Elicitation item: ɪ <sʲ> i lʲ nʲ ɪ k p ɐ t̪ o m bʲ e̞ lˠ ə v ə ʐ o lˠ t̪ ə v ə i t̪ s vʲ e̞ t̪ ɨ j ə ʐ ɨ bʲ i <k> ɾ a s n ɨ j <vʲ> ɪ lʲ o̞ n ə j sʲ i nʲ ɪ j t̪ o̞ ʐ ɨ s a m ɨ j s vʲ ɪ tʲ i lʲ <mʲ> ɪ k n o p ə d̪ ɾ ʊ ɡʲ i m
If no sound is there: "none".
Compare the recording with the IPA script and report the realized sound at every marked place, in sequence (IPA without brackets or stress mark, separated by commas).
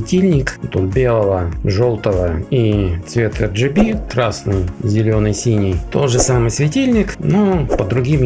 tʲ, k, zʲ, nʲ